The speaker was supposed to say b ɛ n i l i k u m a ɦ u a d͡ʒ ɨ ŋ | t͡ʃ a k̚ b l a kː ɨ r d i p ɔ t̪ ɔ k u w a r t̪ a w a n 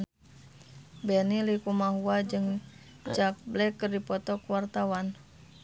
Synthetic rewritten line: b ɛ n i l i k u m a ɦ u a d͡ʒ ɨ ŋ | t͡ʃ a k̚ b l ɛ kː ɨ r d i p ɔ t̪ ɔ k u w a r t̪ a w a n